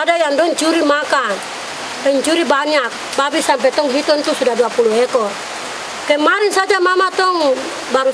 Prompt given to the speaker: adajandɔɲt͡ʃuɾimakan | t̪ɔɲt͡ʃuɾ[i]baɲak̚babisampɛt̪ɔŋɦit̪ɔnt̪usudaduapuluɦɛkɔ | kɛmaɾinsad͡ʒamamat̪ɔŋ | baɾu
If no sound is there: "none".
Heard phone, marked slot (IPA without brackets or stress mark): i